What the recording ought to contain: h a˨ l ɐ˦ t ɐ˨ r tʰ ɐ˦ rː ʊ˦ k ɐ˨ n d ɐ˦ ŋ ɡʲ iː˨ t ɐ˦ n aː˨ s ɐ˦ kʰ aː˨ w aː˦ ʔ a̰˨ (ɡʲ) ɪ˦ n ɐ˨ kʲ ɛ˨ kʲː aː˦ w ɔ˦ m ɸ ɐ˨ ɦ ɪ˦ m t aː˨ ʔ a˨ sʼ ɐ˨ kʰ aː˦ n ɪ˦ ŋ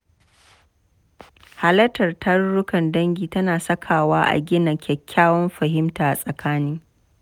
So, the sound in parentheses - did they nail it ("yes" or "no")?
yes